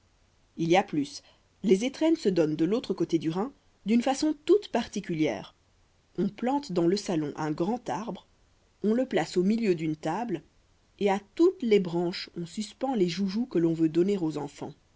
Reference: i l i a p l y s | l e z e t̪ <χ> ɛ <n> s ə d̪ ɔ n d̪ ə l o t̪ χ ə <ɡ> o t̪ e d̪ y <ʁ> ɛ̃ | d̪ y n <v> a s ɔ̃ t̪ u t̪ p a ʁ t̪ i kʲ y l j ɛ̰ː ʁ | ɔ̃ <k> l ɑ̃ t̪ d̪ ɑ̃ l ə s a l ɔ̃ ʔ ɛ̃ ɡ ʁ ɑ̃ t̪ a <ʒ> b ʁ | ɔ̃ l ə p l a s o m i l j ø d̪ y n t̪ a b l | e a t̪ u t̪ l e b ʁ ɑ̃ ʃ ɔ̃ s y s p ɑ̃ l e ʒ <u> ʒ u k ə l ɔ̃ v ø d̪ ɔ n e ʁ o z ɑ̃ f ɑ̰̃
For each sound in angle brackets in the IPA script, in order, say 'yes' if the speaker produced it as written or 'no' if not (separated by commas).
yes, yes, no, yes, no, no, no, yes